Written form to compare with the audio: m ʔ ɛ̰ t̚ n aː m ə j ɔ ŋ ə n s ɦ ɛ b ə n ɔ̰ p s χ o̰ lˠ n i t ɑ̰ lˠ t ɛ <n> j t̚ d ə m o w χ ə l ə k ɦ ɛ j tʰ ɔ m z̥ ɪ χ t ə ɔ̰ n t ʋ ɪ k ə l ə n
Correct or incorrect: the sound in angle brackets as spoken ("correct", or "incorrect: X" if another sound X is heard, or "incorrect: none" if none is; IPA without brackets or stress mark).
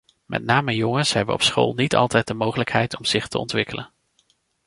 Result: incorrect: none